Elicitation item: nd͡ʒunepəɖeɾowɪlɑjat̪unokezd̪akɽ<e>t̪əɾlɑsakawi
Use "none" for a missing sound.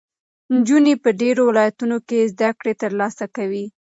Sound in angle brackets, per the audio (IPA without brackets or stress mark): e